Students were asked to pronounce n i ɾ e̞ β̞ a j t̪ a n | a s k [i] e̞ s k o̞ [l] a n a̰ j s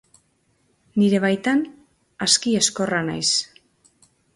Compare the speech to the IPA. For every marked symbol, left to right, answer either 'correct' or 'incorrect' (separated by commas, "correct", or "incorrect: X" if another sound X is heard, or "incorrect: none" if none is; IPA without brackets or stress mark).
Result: correct, incorrect: r